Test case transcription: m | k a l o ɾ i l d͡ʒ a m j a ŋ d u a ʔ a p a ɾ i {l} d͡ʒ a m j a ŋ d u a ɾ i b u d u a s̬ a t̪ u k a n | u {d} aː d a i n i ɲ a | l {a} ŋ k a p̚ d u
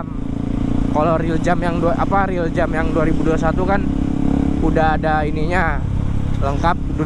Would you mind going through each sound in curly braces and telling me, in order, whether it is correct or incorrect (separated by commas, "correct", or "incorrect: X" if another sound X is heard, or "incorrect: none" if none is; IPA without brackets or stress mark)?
correct, correct, incorrect: ə